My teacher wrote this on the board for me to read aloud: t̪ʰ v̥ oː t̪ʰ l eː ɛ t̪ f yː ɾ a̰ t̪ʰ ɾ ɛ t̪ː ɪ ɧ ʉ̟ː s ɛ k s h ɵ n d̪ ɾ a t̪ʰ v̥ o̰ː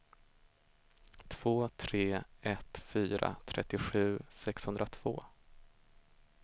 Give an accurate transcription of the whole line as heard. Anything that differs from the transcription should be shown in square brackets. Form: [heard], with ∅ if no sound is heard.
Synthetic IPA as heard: t̪ʰ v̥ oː t̪ʰ [ɾ] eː ɛ t̪ f yː ɾ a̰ t̪ʰ ɾ ɛ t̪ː ɪ ɧ ʉ̟ː s ɛ k s h ɵ n d̪ ɾ a t̪ʰ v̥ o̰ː